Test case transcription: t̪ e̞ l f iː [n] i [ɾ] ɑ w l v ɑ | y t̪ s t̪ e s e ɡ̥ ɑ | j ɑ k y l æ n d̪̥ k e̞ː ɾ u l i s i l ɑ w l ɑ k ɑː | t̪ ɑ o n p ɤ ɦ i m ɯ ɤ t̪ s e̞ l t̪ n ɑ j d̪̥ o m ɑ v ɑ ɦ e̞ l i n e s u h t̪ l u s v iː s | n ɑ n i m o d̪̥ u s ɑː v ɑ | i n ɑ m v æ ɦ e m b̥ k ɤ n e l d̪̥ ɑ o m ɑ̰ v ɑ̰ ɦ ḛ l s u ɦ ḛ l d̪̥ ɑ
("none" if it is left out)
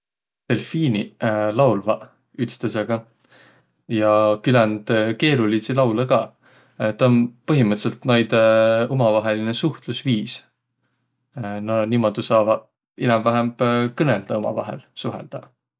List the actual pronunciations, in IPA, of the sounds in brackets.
n, l

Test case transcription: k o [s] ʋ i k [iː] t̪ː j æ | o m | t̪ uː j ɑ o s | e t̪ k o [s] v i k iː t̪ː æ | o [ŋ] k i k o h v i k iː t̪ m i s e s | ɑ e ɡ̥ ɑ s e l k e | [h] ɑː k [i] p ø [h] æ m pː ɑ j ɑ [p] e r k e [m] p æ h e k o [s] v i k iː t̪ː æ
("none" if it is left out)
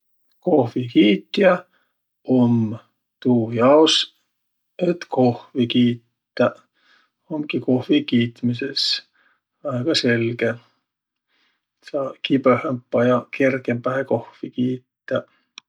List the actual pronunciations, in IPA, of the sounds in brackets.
h, iː, h, m, s, i, h, k, m, h

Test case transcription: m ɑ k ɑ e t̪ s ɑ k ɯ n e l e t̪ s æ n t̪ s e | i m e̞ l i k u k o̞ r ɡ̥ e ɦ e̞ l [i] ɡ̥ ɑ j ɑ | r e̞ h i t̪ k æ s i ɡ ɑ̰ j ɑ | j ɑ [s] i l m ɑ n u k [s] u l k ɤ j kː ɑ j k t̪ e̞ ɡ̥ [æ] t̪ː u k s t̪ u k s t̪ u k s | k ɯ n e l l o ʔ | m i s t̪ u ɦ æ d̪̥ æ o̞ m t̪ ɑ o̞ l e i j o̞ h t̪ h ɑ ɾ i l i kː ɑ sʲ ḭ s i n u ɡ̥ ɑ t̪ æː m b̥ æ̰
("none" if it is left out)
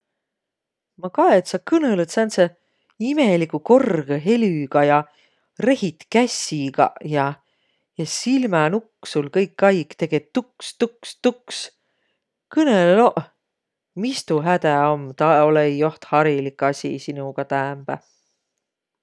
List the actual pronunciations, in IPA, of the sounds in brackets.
y, s, s, e

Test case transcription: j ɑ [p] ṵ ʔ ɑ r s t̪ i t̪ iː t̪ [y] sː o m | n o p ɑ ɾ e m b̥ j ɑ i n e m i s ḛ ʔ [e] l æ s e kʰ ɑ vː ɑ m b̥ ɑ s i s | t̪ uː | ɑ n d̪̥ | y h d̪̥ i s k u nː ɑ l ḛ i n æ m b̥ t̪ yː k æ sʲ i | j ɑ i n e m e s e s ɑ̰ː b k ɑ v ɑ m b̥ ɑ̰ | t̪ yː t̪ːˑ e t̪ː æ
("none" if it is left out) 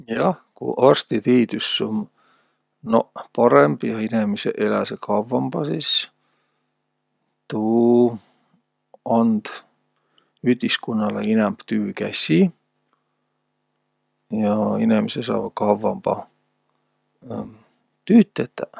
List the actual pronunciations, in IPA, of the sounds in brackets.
k, y, e

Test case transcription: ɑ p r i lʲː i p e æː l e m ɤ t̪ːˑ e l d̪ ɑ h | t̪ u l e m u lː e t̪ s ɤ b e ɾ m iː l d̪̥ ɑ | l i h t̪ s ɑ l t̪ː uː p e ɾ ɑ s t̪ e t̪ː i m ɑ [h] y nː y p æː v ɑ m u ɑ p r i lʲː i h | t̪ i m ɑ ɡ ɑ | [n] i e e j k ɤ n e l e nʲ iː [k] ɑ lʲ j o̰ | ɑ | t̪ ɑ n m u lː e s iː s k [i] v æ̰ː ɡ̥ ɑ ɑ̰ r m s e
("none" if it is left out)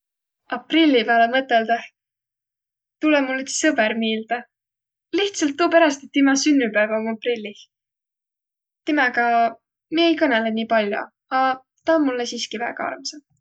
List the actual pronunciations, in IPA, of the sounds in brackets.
s, m, p, i

